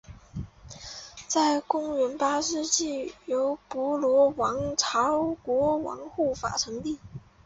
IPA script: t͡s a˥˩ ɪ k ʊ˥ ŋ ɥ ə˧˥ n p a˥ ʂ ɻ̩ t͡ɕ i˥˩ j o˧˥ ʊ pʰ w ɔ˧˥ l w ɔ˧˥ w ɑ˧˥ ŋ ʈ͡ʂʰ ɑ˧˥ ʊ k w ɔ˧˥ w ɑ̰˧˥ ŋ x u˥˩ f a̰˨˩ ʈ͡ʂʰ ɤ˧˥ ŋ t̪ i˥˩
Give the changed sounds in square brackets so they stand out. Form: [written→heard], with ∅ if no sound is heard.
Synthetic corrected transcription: t͡s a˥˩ ɪ k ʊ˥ ŋ ɥ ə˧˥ n p a˥ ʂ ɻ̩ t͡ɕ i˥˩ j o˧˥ ʊ [pʰ→p] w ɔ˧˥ l w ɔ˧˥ w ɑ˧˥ ŋ ʈ͡ʂʰ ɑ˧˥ ʊ k w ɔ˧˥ w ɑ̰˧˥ ŋ x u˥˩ f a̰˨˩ ʈ͡ʂʰ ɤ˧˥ ŋ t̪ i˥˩